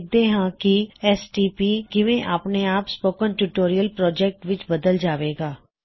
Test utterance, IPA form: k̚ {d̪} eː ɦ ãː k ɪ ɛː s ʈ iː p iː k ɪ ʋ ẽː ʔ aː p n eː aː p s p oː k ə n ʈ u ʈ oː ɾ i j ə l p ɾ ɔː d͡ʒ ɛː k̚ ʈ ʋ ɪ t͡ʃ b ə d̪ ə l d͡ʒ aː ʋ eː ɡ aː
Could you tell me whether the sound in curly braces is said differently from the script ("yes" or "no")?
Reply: no